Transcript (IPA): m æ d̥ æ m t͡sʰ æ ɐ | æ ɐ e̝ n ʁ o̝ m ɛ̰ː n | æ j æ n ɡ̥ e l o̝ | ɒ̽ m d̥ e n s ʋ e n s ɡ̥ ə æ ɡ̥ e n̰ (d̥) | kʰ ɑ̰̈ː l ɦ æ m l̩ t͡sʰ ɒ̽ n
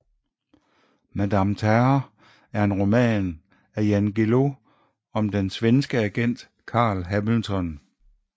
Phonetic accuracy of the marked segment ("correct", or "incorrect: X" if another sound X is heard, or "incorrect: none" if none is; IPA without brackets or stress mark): correct